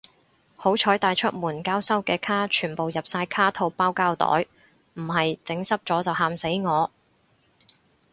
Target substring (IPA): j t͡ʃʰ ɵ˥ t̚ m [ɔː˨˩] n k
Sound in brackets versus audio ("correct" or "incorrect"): incorrect